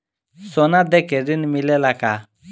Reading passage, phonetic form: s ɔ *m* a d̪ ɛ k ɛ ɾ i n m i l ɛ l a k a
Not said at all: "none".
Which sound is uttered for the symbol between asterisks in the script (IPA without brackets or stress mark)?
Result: n